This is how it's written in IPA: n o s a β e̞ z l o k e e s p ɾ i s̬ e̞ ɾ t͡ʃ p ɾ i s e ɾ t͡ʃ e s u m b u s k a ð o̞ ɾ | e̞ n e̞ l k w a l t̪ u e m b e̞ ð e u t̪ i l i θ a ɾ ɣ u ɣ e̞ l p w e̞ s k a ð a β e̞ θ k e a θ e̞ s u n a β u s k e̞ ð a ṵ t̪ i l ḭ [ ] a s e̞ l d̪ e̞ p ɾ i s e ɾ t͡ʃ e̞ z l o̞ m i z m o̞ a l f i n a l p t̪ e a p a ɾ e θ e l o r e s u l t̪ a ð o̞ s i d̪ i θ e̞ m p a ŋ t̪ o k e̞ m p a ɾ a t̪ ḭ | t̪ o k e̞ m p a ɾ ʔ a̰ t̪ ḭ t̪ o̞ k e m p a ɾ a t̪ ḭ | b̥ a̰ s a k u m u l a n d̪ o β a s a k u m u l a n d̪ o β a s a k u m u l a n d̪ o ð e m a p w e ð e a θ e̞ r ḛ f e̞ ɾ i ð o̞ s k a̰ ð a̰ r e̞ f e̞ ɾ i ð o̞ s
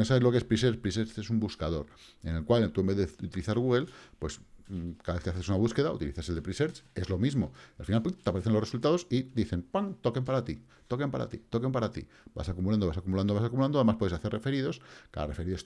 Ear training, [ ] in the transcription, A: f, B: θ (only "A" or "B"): B